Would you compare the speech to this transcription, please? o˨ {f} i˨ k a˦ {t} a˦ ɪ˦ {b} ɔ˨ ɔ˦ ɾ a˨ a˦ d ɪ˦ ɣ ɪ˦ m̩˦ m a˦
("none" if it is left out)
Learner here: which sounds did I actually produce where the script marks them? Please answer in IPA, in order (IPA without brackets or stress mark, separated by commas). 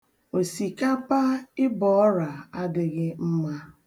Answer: s, p, b